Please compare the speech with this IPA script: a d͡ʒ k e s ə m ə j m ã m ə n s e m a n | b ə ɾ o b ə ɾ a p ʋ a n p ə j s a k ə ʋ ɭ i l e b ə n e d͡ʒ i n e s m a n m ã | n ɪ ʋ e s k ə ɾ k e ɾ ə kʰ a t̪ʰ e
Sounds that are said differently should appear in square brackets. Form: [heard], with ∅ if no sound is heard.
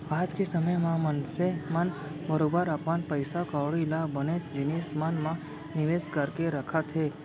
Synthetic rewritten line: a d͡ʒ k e s ə m ə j m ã m ə n s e m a n | b ə ɾ o b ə ɾ a p ʋ a n p ə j s a k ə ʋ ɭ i l [a] b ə n e d͡ʒ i n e s m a n m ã | n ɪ ʋ e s k ə ɾ k e ɾ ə kʰ a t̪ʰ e